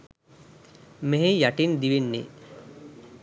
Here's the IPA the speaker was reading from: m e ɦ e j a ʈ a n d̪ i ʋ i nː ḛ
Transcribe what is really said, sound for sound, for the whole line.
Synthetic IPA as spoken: m e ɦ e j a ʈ i n d̪ i ʋ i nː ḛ